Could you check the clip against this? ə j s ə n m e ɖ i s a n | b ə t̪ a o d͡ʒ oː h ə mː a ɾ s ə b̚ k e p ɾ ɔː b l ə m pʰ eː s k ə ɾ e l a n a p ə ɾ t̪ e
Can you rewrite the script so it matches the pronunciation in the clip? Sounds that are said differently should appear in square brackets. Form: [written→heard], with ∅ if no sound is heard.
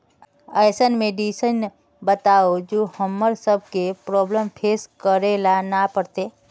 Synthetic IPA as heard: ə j s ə n m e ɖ i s [a→ə] n | b ə t̪ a o d͡ʒ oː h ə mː [a→ə] ɾ s ə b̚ k e p ɾ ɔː b l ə m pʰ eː s k ə ɾ e l a n a p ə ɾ t̪ e